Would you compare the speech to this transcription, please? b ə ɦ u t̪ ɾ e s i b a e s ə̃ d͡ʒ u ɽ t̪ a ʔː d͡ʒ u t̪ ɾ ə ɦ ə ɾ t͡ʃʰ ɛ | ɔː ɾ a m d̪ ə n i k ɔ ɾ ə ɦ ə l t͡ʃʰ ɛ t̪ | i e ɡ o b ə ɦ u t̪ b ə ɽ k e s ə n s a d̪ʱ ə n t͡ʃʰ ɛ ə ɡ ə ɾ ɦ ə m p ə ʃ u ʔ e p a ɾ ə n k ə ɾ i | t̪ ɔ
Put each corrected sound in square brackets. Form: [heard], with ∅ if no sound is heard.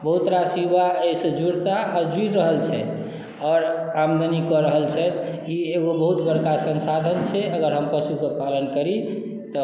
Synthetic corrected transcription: b ə ɦ u t̪ ɾ [a] s i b a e s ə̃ d͡ʒ u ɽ t̪ a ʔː d͡ʒ u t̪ ɾ ə ɦ ə [l] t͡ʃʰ ɛ | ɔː ɾ a m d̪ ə n i k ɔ ɾ ə ɦ ə l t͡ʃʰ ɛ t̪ | i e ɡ o b ə ɦ u t̪ b ə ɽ k [a] s ə n s a d̪ʱ ə n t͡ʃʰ ɛ ə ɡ ə ɾ ɦ ə m p ə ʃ u [k] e p a [l] ə n k ə ɾ i | t̪ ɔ